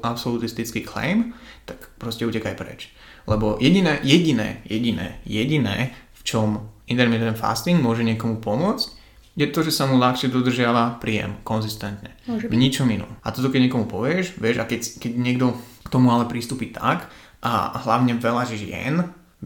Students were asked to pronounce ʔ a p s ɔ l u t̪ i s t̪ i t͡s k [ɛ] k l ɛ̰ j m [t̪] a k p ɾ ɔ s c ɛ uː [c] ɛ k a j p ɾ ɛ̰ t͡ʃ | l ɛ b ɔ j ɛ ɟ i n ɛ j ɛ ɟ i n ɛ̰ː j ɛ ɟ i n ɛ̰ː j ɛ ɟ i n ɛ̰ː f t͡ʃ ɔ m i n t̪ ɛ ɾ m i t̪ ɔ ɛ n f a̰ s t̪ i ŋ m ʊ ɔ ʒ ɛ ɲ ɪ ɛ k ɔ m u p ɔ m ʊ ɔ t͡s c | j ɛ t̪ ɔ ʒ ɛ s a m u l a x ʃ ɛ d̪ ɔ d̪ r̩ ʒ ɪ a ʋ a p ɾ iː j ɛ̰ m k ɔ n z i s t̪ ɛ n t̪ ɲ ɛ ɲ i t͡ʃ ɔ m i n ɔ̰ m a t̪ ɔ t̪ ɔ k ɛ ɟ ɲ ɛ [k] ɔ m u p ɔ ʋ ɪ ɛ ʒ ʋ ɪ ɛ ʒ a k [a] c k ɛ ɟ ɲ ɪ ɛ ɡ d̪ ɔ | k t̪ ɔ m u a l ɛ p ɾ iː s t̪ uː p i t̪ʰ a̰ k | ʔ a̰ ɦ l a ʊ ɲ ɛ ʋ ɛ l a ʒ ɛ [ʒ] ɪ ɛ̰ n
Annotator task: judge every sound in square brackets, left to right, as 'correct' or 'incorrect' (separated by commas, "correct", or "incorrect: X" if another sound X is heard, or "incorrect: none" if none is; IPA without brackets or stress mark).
incorrect: i, correct, correct, correct, incorrect: ɛ, correct